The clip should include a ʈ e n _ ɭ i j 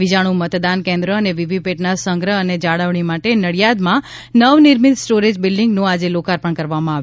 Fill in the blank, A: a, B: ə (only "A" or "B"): B